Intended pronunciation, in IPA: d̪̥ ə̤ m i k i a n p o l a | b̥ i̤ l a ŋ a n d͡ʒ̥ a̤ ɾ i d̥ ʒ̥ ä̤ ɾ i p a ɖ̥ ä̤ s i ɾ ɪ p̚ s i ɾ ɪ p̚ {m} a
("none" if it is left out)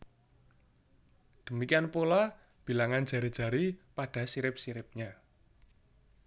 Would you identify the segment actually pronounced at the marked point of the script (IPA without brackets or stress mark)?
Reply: ɲ